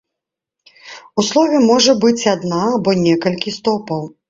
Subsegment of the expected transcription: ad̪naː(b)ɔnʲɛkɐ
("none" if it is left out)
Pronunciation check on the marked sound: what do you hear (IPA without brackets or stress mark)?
b